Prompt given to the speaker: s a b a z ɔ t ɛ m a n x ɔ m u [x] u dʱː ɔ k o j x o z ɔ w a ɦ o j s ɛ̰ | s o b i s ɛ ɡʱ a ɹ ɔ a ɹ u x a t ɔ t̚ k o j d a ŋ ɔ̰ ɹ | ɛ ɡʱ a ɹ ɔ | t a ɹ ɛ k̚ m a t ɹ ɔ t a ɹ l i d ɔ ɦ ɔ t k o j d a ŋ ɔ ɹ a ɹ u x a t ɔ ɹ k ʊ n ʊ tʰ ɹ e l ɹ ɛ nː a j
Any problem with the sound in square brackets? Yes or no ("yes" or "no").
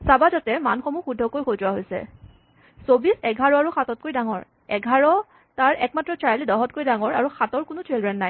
no